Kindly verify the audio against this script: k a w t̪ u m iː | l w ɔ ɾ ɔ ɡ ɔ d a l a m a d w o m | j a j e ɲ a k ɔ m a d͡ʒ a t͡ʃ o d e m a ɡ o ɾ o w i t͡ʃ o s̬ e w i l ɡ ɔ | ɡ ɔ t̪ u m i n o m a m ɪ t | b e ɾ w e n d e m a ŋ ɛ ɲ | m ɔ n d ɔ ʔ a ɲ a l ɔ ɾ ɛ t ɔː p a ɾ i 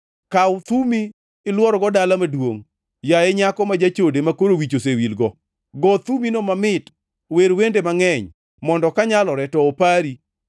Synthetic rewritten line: k a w t̪ u m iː | l w ɔ ɾ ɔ ɡ ɔ d a l a m a d w o ŋ | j a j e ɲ a k ɔ m a d͡ʒ a t͡ʃ o d e m a k o ɾ o w i t͡ʃ o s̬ e w i l ɡ ɔ | ɡ ɔ t̪ u m i n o m a m ɪ t | w e ɾ w e n d e m a ŋ ɛ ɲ | m ɔ n d ɔ k a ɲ a l ɔ ɾ ɛ t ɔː p a ɾ i